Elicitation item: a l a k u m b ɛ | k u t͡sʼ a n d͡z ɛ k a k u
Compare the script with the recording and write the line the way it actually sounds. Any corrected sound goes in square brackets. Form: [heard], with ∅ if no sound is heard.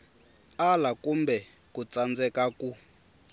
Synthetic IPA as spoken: a l a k u m b ɛ | k u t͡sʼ a n d͡z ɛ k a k u